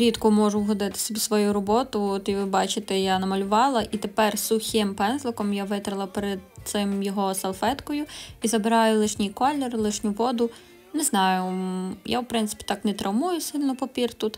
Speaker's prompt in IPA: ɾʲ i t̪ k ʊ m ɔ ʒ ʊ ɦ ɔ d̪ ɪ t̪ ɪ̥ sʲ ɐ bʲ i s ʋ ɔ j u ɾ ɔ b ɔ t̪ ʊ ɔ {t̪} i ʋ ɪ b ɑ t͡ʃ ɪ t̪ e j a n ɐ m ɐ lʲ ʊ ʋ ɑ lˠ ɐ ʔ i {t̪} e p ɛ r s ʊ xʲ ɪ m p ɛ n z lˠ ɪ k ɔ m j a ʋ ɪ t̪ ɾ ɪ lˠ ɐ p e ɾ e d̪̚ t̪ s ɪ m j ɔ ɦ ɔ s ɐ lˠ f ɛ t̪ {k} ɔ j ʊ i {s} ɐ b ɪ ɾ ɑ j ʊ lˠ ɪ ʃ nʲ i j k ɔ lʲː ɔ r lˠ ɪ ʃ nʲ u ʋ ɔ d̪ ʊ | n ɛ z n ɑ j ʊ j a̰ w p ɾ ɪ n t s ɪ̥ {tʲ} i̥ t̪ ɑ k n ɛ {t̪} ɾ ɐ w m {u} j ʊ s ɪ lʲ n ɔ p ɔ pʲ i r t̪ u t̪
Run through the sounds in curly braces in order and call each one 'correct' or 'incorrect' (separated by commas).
correct, correct, correct, incorrect, incorrect, correct, correct